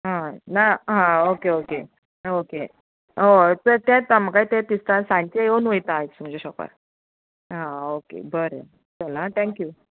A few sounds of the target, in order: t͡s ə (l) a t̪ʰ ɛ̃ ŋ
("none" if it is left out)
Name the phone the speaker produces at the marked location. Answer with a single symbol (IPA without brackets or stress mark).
l